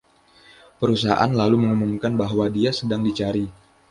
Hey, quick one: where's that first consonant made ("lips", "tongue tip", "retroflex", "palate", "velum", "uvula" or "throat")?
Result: lips